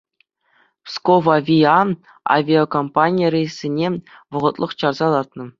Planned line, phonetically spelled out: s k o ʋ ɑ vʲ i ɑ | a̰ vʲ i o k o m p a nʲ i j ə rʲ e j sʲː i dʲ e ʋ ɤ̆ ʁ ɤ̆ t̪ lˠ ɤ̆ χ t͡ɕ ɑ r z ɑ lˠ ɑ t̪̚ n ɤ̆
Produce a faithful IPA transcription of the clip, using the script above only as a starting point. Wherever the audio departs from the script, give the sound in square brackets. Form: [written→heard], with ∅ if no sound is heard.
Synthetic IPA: s k o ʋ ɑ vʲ i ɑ | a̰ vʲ i o k o m p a nʲ i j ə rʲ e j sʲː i [dʲ→nʲ] e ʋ ɤ̆ ʁ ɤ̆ t̪ lˠ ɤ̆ χ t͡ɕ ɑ r z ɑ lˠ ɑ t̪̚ n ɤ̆